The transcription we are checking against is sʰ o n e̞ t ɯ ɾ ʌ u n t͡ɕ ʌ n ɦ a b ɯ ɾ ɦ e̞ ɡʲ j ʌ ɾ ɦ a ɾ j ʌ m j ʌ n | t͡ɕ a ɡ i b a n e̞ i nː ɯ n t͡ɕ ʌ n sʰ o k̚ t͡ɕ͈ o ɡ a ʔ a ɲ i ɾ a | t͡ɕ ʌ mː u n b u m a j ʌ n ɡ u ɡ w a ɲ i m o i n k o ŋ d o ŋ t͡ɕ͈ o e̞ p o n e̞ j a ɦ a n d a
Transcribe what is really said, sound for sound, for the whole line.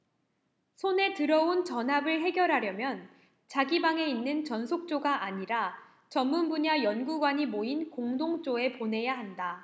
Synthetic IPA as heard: sʰ o n e̞ t ɯ ɾ ʌ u n t͡ɕ ʌ n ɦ a b ɯ ɭ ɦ e̞ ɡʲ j ʌ ɾ ɦ a ɾ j ʌ m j ʌ n | t͡ɕ a ɡ i b a ŋ e̞ i nː ɯ n t͡ɕ ʌ n sʰ o k̚ t͡ɕ͈ o ɡ a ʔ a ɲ i ɾ a | t͡ɕ ʌ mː u n b u ɲ a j ʌ n ɡ u ɡ w a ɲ i m o i n k o ŋ d o ŋ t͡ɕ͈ o e̞ p o n e̞ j a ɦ a n d a